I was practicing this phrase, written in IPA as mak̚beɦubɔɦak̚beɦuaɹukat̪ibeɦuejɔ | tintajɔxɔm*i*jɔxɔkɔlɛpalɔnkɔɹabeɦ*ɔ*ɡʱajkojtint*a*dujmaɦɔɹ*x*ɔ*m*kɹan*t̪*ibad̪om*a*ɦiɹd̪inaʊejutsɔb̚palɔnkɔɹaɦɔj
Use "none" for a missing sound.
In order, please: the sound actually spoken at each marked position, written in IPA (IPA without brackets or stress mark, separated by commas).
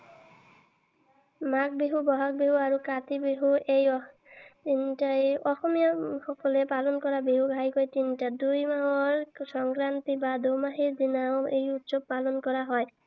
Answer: i, u, a, s, ŋ, t̪, a